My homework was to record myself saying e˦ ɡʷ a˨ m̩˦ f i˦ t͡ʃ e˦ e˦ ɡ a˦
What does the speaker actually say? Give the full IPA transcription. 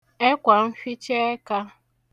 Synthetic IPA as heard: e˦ kʷ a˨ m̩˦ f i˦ t͡ʃ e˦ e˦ k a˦